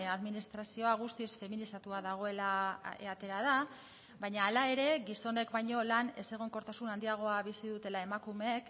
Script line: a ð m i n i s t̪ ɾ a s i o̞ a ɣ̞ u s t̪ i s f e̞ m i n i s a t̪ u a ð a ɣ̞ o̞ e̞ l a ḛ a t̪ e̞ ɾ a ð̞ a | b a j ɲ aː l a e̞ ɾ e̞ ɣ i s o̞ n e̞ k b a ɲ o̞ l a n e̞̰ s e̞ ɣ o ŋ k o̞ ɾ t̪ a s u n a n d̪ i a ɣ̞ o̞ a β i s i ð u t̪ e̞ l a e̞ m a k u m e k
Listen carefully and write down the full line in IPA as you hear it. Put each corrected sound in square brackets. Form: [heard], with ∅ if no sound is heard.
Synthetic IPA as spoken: a ð m i n i s t̪ ɾ a s i o̞ a ɣ̞ u s t̪ i s f e̞ m i n i s a t̪ u a ð a ɣ̞ o̞ e̞ l a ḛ a t̪ e̞ ɾ a ð̞ a | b a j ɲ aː l a e̞ ɾ e̞ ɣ i s o̞ n e̞ k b a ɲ o̞ l a n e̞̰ s e̞ ɣ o ŋ k o̞ ɾ t̪ a s u n a n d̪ i a ɣ̞ o̞ a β i s i ð u t̪ e̞ l a e̞ m a k u m e k